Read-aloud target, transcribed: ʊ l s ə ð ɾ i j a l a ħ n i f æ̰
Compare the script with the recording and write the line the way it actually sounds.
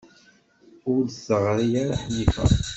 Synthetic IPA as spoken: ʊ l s ə ʁ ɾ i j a ɾ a ħ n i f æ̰